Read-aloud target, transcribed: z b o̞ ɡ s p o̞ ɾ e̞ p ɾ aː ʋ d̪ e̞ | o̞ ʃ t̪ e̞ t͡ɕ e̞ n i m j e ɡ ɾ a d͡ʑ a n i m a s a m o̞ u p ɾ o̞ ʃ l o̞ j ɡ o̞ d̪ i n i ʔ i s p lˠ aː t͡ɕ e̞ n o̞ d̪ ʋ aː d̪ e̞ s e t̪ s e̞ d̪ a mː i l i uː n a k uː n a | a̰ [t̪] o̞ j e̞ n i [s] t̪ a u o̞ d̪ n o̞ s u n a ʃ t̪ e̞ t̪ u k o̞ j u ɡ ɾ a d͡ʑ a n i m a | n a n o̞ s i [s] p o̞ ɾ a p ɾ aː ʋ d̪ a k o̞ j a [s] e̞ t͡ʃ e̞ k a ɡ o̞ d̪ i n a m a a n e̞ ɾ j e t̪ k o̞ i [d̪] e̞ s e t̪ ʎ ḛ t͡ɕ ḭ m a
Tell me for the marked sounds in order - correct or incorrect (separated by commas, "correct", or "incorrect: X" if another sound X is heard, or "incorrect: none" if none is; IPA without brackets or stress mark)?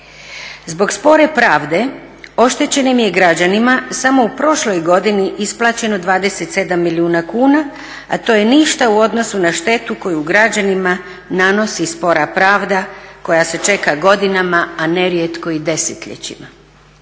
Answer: correct, incorrect: ʃ, correct, correct, correct